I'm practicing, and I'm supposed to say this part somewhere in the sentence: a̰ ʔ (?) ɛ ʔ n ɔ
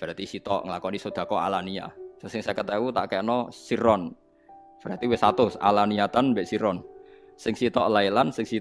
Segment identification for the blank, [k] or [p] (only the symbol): k